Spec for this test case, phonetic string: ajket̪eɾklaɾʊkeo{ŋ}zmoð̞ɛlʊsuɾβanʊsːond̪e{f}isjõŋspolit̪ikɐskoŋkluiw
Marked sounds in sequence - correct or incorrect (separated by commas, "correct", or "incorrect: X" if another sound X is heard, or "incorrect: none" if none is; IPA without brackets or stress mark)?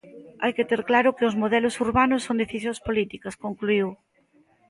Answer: incorrect: none, incorrect: θ